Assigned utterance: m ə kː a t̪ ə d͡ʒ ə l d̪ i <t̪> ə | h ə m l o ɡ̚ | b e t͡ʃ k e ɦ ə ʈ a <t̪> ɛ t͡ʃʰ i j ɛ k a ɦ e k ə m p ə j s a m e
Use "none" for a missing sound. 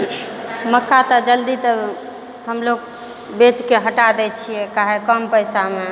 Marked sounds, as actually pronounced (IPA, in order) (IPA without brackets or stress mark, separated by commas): t̪, d̪